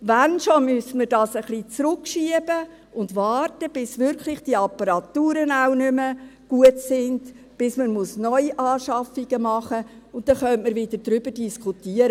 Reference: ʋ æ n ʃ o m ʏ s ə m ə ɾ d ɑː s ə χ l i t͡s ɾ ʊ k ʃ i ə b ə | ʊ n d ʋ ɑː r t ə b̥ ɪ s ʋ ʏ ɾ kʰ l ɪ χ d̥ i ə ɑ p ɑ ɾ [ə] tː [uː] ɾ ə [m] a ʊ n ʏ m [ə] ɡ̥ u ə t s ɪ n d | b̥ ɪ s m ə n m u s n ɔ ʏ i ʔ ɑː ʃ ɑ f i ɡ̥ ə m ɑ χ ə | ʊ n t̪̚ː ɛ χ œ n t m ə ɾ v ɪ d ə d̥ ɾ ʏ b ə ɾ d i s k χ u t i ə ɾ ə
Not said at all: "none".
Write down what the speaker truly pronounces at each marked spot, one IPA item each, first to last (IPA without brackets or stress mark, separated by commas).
ɑ, uː, n, ə